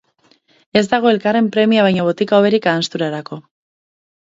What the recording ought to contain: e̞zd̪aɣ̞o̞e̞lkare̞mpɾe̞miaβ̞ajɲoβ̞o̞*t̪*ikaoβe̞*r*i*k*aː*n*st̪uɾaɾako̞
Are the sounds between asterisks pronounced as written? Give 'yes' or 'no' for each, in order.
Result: yes, no, yes, yes

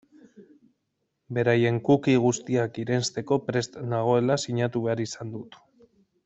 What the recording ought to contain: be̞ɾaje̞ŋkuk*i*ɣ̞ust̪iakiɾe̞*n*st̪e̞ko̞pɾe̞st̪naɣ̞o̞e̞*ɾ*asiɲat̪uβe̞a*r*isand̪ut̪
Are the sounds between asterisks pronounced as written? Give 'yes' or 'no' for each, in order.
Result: yes, yes, no, no

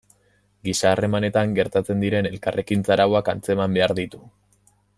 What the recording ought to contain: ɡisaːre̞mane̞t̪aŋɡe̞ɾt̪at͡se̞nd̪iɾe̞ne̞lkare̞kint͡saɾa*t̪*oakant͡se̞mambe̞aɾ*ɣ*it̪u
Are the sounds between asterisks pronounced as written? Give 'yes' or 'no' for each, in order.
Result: no, no

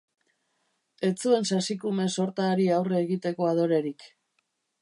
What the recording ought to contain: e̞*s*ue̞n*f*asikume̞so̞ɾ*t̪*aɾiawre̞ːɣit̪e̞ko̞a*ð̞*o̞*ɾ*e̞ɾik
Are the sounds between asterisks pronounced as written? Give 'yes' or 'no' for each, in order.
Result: no, no, yes, yes, yes

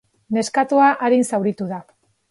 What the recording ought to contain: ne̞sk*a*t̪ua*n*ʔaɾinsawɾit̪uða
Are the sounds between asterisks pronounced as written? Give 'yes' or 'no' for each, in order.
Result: yes, no

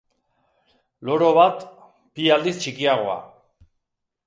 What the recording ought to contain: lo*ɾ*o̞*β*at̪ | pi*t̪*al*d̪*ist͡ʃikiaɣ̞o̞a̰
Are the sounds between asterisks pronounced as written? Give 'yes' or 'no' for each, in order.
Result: yes, yes, no, yes

